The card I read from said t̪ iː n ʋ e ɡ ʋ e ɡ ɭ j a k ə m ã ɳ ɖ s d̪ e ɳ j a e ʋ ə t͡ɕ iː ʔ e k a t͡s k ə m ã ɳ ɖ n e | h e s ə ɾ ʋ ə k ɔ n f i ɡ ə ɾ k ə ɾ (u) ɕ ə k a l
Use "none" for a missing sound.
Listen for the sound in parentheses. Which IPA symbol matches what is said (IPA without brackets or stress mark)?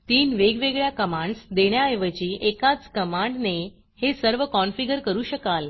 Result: uː